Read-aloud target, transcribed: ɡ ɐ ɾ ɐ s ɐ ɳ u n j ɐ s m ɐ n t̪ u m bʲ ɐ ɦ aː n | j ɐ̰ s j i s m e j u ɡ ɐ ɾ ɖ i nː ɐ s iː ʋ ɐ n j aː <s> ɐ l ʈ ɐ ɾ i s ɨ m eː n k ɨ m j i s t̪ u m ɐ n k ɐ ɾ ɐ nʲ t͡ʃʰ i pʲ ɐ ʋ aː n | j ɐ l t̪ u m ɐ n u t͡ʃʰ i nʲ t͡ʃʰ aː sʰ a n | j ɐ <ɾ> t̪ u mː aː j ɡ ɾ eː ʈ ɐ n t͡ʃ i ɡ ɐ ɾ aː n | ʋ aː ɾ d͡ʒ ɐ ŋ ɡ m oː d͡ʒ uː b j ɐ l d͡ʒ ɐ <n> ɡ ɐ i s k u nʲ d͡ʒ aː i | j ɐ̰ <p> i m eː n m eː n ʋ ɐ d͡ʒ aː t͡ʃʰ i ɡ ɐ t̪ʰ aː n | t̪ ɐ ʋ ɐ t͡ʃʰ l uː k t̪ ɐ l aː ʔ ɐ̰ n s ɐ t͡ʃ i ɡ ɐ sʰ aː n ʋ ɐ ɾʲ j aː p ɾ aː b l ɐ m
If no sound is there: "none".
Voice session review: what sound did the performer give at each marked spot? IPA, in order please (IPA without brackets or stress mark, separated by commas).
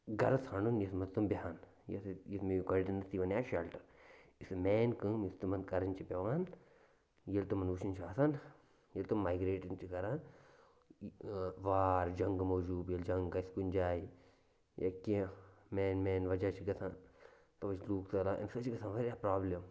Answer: ʃ, l, ŋ, k